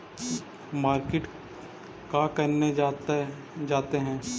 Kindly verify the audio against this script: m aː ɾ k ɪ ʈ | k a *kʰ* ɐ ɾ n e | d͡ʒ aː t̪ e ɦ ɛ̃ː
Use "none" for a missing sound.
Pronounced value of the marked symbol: k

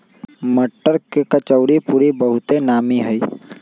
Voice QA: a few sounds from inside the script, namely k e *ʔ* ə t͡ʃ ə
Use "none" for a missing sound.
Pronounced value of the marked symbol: k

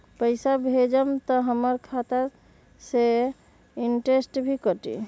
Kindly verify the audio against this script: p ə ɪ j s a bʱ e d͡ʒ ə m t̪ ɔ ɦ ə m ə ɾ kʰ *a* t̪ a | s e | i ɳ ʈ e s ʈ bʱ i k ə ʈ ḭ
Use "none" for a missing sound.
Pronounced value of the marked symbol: a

